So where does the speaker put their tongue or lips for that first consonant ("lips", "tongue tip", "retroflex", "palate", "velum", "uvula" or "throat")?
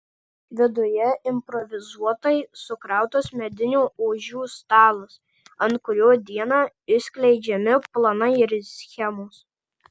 lips